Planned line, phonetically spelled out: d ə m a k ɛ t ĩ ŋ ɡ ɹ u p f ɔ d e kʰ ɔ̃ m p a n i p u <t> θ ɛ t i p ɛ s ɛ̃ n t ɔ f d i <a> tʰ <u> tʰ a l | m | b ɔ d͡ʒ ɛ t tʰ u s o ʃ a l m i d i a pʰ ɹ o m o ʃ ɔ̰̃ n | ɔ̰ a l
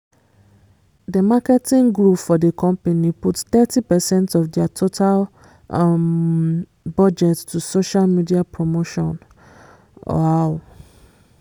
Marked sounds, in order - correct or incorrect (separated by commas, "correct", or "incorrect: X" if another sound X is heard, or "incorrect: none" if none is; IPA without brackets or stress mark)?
correct, correct, incorrect: o